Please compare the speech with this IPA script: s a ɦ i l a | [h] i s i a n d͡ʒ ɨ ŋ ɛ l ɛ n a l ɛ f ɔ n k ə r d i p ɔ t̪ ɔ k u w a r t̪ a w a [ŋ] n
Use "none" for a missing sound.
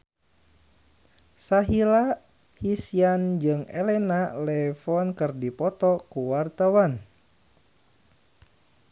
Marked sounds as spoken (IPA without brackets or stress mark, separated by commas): h, none